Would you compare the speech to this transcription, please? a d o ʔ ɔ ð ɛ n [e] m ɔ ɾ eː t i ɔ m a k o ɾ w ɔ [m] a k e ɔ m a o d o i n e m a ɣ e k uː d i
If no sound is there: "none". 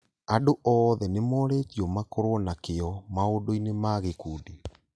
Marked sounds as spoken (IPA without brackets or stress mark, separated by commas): e, n